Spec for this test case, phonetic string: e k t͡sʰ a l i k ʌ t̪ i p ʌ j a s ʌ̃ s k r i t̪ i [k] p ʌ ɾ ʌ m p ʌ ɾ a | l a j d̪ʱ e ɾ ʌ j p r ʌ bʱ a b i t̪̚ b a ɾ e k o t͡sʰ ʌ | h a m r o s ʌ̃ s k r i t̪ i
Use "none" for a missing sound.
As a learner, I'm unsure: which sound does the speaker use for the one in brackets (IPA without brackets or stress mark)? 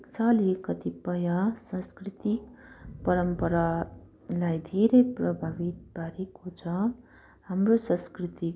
k